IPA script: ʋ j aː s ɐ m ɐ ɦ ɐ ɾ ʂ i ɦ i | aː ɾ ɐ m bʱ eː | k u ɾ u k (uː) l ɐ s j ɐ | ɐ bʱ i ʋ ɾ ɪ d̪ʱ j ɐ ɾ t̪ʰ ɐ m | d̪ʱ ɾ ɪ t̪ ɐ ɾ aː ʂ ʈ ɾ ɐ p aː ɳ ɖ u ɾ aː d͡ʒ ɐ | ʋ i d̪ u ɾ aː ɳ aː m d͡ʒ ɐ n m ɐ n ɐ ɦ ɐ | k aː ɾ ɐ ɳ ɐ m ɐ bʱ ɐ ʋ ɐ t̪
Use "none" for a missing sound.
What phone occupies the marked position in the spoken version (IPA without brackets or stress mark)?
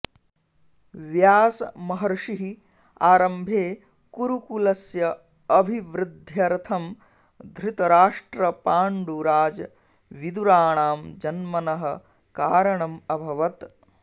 u